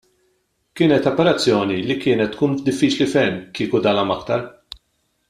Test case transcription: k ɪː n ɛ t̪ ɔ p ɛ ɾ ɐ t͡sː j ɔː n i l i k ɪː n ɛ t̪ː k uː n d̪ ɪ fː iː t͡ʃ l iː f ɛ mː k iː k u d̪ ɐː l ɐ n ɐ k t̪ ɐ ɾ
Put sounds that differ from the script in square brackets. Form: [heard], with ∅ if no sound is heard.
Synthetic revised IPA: k ɪː n ɛ t̪ ɔ p ɛ ɾ ɐ t͡sː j ɔː n i l i k ɪː n ɛ t̪ː k uː n d̪ ɪ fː iː t͡ʃ l [i] f ɛ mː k iː k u d̪ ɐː l ɐ [m] ɐ k t̪ ɐ ɾ